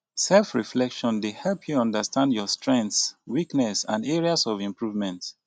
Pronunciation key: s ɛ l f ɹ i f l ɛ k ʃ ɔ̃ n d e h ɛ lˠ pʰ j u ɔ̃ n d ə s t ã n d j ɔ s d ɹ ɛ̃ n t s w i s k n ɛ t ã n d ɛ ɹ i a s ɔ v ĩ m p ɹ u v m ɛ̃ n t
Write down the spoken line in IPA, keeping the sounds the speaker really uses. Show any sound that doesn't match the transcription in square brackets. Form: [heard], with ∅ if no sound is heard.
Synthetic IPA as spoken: s ɛ l f ɹ i f l ɛ k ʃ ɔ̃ n d e h ɛ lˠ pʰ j u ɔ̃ n d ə s t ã n d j ɔ s [t] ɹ ɛ̃ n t s w i [∅] k n ɛ [s] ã n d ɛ ɹ i a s ɔ v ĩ m p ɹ u v m ɛ̃ n t